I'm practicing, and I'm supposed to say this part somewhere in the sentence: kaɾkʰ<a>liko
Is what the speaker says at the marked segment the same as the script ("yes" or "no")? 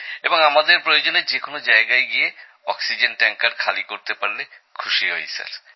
yes